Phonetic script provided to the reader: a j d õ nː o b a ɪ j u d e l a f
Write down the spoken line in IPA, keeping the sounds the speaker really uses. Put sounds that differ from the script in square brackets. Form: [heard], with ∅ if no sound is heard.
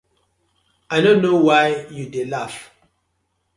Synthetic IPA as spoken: a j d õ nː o [w] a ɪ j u d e l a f